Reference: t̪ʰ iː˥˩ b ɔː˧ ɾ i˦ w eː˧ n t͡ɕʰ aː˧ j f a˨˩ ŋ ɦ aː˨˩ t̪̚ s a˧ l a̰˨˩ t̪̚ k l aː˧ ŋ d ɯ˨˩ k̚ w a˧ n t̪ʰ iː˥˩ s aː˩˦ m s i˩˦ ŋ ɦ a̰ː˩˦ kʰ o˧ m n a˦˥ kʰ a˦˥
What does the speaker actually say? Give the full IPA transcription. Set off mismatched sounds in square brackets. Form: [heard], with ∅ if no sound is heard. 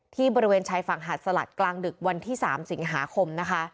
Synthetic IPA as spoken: t̪ʰ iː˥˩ b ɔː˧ ɾ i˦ w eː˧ n t͡ɕʰ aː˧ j f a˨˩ ŋ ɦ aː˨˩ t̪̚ s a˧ l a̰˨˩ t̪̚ k l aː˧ ŋ d ɯ˨˩ k̚ w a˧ n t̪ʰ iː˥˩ s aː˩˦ m s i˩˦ ŋ ɦ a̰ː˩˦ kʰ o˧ m n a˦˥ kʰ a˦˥

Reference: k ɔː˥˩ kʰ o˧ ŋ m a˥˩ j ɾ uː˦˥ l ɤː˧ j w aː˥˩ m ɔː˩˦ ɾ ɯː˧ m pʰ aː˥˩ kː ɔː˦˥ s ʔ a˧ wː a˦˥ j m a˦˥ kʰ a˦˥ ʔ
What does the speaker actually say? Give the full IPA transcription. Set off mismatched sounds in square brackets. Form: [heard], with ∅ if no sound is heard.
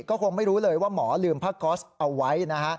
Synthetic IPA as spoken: k ɔː˥˩ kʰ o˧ ŋ m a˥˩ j ɾ uː˦˥ l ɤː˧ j w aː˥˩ m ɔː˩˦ [l] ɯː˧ m pʰ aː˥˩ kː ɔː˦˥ s ʔ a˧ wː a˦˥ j [n] a˦˥ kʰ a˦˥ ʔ

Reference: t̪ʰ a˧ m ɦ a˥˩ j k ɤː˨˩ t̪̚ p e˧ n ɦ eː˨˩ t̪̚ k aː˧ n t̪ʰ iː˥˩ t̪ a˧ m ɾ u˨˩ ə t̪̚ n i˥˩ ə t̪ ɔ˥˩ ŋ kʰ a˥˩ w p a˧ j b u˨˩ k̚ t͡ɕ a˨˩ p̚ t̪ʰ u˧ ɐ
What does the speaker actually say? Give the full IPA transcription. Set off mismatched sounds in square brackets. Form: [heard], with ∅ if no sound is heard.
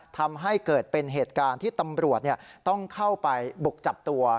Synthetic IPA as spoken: t̪ʰ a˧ m ɦ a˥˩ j k ɤː˨˩ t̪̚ p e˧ n ɦ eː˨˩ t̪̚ k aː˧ n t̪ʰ iː˥˩ t̪ a˧ m ɾ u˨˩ ə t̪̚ n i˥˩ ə t̪ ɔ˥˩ ŋ kʰ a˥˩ w p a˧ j b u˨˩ k̚ t͡ɕ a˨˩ p̚ [t̪] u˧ ɐ

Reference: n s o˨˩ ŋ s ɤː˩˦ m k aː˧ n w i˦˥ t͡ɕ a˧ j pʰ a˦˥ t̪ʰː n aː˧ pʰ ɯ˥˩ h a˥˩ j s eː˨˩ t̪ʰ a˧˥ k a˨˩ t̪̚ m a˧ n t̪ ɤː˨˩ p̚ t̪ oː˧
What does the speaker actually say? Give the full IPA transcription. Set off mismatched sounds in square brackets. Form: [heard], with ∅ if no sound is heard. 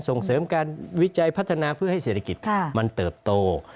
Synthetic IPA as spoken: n s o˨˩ ŋ s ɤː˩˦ m k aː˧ n w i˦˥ t͡ɕ a˧ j pʰ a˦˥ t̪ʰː n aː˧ pʰ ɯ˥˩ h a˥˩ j s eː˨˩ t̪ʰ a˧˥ k [i˨˩] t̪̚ m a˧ n t̪ ɤː˨˩ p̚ t̪ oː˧

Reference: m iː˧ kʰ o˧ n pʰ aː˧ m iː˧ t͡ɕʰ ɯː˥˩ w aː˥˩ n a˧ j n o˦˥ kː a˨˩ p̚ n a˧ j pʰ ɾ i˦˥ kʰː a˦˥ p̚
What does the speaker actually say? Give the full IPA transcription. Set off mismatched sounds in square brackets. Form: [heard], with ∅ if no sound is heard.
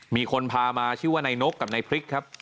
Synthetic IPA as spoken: m iː˧ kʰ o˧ n pʰ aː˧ m [aː˧] t͡ɕʰ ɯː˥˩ w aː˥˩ n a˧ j n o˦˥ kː a˨˩ p̚ n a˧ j pʰ ɾ i˦˥ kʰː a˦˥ p̚

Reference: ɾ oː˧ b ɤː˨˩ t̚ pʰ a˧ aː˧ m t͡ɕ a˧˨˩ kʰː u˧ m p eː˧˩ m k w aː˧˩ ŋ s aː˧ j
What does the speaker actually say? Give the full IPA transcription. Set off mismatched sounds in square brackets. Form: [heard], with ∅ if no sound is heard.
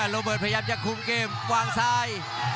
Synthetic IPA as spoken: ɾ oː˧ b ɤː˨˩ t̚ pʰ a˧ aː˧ m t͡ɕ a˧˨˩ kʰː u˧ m [k] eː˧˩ m k w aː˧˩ ŋ s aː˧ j

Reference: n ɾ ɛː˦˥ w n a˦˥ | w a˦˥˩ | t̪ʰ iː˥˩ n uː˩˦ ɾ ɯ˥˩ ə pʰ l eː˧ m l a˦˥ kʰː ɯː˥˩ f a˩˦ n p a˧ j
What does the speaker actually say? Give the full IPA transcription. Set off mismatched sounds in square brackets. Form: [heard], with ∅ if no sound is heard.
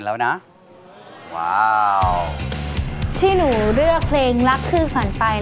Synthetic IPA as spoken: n [l] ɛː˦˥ w n a˦˥ | w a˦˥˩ | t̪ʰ iː˥˩ n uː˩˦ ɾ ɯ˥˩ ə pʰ l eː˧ [ŋ] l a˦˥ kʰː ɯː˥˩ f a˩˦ n p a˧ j

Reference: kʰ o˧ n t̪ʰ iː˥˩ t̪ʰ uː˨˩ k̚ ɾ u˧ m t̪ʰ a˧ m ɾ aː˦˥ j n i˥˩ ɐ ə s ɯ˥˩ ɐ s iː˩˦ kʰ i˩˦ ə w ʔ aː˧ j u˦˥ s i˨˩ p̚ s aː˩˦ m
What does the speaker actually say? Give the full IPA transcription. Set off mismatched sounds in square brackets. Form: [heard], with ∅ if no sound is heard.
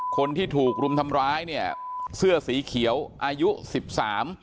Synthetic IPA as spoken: kʰ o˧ n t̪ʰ iː˥˩ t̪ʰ uː˨˩ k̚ ɾ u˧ m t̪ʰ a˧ m ɾ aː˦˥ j n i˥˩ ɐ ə s ɯ˥˩ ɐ s iː˩˦ kʰ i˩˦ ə w ʔ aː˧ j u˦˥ s i˨˩ p̚ s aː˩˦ m

